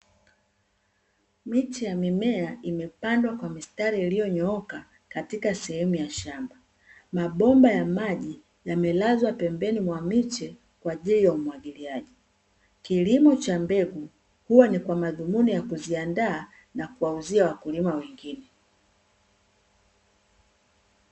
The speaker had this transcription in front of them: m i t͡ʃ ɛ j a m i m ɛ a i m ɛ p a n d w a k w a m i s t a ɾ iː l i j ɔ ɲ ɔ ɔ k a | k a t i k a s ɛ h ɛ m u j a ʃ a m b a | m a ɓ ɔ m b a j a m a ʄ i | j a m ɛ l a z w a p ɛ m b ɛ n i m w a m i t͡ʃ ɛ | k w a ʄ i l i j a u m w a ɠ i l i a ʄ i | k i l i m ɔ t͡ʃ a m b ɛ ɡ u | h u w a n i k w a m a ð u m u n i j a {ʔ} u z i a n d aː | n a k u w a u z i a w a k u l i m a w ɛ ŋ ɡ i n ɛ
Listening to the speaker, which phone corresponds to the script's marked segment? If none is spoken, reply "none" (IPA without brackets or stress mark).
k